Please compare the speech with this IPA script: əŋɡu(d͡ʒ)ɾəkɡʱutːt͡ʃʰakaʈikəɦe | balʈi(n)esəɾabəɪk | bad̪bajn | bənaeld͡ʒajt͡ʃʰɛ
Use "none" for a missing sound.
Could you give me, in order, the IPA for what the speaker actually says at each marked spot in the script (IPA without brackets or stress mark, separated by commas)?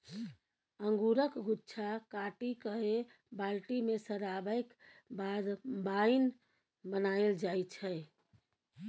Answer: none, m